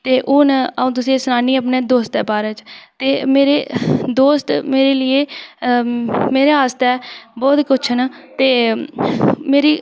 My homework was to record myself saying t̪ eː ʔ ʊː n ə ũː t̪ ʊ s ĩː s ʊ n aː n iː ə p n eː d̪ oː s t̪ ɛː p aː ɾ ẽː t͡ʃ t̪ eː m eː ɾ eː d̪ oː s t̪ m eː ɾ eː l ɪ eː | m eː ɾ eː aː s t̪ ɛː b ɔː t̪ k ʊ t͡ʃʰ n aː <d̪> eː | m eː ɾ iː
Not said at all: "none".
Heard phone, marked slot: t̪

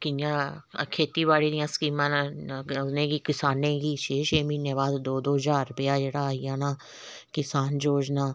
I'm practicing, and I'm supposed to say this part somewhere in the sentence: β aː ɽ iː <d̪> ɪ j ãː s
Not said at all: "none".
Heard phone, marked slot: d̪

